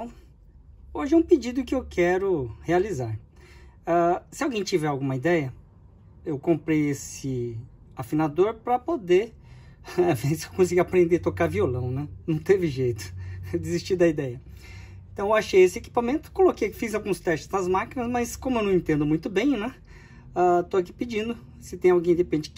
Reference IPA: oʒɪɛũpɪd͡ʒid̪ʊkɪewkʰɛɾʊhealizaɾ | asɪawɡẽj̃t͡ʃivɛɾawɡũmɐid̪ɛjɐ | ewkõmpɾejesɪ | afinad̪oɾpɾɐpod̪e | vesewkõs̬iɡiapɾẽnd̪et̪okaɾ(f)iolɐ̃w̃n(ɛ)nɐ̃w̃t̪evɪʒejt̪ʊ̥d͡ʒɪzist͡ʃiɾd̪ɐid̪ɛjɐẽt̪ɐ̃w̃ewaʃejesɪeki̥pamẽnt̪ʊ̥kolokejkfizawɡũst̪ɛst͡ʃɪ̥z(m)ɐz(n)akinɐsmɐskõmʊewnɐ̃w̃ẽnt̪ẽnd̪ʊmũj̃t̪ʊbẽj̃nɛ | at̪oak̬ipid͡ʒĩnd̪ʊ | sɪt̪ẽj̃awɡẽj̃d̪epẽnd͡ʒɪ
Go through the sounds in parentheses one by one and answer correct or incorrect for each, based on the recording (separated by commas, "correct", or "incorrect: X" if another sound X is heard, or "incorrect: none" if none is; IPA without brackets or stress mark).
incorrect: v, correct, incorrect: n, incorrect: m